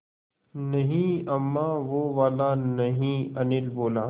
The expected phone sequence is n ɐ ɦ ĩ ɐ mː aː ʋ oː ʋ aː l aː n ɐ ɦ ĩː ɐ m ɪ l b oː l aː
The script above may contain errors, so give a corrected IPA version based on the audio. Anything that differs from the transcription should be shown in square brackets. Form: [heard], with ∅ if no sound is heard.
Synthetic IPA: n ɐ ɦ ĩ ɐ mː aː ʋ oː ʋ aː l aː n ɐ ɦ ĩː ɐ [n] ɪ l b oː l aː